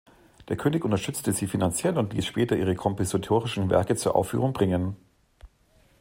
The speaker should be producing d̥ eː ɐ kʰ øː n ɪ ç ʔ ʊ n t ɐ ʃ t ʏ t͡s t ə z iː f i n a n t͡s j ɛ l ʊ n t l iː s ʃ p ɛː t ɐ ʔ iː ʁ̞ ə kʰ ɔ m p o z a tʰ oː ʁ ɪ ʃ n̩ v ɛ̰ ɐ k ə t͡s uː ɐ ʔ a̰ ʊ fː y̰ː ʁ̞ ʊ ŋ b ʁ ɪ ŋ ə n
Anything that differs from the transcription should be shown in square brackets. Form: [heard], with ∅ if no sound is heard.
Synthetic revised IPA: d̥ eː ɐ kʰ øː n ɪ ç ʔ ʊ n t ɐ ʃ t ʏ t͡s t ə z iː f i n a n t͡s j ɛ l ʊ n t l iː s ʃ p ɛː t ɐ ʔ iː ʁ̞ ə kʰ ɔ m p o z a tʰ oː ʁ ɪ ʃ n̩ v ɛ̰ ɐ k ə t͡s uː ɐ ʔ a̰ ʊ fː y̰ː ʁ̞ ʊ ŋ b ʁ ɪ ŋ ə n